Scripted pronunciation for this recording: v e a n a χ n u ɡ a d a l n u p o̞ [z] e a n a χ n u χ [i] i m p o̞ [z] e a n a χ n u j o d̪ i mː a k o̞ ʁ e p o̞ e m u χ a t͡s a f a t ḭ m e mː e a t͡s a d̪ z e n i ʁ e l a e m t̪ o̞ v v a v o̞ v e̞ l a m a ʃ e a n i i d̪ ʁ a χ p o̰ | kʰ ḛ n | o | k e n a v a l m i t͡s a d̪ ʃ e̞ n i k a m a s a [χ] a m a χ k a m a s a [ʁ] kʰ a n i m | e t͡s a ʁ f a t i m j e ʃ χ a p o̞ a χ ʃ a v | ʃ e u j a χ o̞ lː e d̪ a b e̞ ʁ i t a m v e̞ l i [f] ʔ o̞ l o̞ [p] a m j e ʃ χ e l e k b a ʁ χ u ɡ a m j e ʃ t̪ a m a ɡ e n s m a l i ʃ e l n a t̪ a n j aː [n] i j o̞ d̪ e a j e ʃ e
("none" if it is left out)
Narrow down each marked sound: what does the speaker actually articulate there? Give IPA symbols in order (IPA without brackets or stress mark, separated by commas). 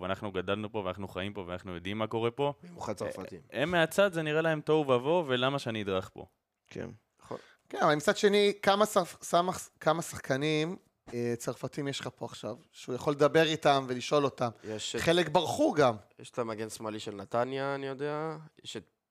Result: v, a, v, s, χ, ʃ, t, n